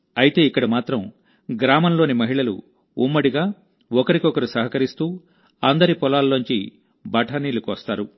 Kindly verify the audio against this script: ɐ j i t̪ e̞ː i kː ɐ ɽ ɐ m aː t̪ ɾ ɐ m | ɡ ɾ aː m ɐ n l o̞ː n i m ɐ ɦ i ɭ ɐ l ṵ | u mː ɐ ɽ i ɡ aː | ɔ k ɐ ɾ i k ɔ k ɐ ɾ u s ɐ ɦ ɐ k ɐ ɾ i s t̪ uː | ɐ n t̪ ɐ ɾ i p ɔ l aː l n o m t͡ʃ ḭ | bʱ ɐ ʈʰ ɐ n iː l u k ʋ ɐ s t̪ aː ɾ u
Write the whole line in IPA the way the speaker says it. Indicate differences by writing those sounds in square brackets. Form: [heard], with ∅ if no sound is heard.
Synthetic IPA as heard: ɐ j i t̪ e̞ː i kː ɐ ɽ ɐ m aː t̪ ɾ ɐ m | ɡ ɾ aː m ɐ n l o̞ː n i m ɐ ɦ i ɭ ɐ l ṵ | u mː ɐ ɽ i ɡ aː | ɔ k ɐ ɾ i k ɔ k ɐ ɾ u s ɐ ɦ ɐ k ɐ ɾ i s t̪ uː | ɐ n [d̪] ɐ ɾ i p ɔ l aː l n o [ɲ] t͡ʃ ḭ | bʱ ɐ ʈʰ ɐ n iː l u k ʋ ɐ s t̪ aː ɾ u